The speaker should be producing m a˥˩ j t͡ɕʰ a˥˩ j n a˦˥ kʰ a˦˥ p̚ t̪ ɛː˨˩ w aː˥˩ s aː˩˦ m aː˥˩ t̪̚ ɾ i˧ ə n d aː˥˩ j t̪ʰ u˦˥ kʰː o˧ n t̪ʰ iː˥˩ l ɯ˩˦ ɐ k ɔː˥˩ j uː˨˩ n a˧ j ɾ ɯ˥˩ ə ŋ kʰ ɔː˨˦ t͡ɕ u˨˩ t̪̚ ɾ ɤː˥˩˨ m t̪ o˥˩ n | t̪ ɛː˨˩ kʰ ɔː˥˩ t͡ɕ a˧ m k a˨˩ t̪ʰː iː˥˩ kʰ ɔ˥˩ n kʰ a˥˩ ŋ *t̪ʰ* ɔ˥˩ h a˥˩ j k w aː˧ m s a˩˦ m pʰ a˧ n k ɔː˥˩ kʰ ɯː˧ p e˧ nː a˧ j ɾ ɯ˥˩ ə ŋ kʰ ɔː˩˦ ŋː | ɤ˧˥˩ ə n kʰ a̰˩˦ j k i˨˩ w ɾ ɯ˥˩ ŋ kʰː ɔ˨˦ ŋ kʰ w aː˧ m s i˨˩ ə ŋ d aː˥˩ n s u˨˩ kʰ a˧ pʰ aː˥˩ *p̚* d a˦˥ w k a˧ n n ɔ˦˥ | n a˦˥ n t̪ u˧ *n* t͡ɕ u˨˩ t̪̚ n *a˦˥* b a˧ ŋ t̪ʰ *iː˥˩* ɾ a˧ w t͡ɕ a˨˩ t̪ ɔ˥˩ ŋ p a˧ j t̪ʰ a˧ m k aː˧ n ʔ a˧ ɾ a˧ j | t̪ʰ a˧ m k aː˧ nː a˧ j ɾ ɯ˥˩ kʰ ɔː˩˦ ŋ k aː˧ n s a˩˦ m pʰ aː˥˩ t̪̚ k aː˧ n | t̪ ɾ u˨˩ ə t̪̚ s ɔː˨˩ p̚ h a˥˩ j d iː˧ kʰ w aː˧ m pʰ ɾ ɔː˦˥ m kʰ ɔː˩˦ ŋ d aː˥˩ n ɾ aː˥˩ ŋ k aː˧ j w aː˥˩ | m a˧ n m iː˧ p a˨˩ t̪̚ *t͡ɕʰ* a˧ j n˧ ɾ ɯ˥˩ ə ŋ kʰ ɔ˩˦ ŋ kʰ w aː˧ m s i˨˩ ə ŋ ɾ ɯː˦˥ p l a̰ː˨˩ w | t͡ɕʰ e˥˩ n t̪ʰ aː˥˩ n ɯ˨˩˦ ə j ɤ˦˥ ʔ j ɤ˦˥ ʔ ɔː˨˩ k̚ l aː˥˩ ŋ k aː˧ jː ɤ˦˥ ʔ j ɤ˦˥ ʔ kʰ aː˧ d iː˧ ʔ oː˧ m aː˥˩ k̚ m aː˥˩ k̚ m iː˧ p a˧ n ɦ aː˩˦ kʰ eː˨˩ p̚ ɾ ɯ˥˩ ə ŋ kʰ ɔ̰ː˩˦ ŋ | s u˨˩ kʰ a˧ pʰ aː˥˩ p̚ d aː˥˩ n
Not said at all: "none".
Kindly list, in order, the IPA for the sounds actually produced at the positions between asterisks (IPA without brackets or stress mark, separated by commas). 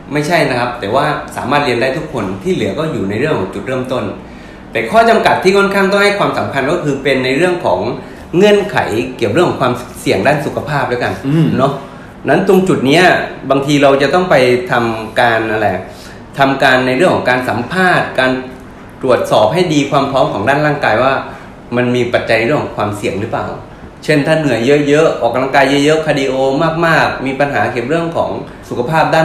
t̪, p̚, ŋ, i˦˥, iː˧, t͡ɕ